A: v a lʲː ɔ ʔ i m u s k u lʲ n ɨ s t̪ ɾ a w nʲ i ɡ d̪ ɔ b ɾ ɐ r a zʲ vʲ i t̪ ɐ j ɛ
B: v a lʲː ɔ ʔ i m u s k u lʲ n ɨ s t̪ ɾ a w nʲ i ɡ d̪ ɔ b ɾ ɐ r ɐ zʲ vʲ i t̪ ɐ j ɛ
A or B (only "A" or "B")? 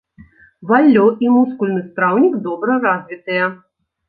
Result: A